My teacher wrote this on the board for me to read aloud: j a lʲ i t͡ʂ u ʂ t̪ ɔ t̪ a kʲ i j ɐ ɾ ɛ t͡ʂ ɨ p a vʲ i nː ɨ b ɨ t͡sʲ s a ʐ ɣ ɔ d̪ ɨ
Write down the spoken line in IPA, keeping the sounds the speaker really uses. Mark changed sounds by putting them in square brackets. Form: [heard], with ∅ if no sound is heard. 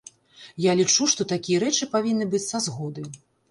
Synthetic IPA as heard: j a lʲ i t͡ʂ u ʂ t̪ ɔ t̪ a kʲ i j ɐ ɾ ɛ t͡ʂ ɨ p a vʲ i nː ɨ b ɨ t͡sʲ s a [z] ɣ ɔ d̪ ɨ

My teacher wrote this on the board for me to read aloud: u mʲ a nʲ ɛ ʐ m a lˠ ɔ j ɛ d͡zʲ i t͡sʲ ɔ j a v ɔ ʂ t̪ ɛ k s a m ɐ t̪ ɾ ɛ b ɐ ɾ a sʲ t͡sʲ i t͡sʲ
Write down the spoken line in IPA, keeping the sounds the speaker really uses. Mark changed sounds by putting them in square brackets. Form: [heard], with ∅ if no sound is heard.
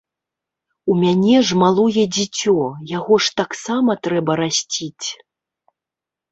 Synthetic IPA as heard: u mʲ a nʲ ɛ ʐ m a lˠ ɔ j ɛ d͡zʲ i t͡sʲ ɔ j a [ɣ] ɔ ʂ t̪ [a] k s a m ɐ t̪ ɾ ɛ b ɐ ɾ a sʲ t͡sʲ i t͡sʲ

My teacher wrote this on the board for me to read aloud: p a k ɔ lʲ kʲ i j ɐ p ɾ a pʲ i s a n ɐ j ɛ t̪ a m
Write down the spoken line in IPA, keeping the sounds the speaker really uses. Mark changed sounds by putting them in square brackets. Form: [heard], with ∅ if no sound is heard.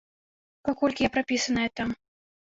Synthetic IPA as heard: p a k ɔ lʲ kʲ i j [a] p ɾ a pʲ i s [ɐ] n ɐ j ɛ t̪ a m

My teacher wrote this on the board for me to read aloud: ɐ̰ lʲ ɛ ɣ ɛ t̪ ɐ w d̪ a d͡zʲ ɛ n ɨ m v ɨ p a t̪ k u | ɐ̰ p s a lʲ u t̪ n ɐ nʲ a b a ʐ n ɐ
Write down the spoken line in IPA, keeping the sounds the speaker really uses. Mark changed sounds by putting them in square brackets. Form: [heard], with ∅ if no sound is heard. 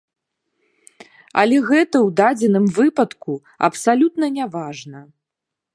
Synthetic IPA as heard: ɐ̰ lʲ ɛ ɣ ɛ t̪ ɐ w d̪ a d͡zʲ ɛ n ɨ m v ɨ p [ɐ] t̪ k u | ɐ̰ p s a lʲ u t̪ n ɐ nʲ a [v] a ʐ n ɐ

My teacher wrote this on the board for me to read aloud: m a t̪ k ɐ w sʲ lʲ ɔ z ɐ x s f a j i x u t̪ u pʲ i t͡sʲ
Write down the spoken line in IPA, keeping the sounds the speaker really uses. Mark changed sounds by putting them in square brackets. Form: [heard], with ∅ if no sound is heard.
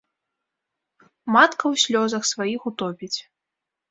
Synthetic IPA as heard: m a t̪ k ɐ w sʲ lʲ ɔ z ɐ x s [v] a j i x u t̪ [ɔ] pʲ i t͡sʲ

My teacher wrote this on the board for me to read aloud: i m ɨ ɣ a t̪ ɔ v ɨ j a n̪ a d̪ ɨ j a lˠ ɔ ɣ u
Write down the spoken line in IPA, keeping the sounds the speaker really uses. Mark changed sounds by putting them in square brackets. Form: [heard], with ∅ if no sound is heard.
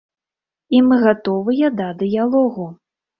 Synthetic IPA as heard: i m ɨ ɣ a t̪ ɔ v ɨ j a [d̪] a d̪ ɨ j a lˠ ɔ ɣ u

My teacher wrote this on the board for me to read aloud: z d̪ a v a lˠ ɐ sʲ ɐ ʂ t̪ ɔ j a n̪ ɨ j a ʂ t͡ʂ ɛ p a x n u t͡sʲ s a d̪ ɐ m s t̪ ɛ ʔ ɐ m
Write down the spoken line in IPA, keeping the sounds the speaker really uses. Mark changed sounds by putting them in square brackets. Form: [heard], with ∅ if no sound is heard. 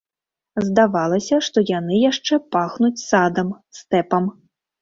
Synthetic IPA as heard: z d̪ a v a lˠ ɐ sʲ ɐ ʂ t̪ ɔ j a n̪ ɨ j a ʂ t͡ʂ ɛ p a x n u t͡sʲ s a d̪ ɐ m s t̪ ɛ [p] ɐ m

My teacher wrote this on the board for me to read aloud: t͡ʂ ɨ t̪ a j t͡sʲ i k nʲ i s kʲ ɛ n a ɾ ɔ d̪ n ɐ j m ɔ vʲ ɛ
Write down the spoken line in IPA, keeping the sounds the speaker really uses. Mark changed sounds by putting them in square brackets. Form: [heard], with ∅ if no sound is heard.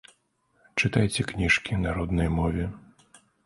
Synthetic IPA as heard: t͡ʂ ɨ t̪ a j t͡sʲ [ɛ] k nʲ i [ʂ] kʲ [i] n a ɾ ɔ d̪ n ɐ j m ɔ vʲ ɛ

